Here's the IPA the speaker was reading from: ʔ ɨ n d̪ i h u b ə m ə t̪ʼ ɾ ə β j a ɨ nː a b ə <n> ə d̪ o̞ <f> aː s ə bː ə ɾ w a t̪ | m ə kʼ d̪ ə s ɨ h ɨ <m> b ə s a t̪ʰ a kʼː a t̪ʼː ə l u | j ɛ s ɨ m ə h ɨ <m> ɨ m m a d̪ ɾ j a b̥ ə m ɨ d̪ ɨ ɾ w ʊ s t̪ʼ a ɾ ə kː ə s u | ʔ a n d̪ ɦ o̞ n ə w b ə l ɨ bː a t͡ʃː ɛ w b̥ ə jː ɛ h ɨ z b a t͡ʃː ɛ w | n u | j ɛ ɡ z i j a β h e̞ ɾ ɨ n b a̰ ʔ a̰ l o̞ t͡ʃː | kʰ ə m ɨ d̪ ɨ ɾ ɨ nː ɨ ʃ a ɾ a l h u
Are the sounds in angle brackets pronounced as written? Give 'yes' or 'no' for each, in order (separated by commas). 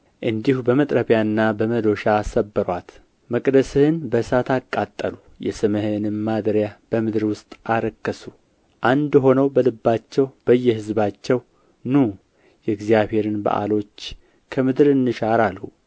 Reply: no, no, no, no